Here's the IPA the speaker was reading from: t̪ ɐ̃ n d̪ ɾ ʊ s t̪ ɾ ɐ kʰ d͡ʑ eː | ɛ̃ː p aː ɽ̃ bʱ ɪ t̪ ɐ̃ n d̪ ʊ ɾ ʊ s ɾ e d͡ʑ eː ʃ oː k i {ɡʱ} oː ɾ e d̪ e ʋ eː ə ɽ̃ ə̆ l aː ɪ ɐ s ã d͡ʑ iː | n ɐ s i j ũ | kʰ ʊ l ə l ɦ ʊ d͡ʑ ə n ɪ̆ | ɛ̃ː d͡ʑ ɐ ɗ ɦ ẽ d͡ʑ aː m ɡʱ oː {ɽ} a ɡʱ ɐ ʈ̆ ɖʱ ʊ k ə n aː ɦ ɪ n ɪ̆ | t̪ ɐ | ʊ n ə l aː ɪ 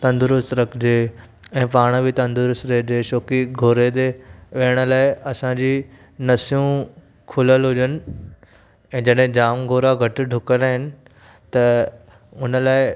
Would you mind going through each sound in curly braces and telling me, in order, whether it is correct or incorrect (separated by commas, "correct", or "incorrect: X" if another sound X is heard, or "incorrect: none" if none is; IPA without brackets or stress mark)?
correct, incorrect: ɾ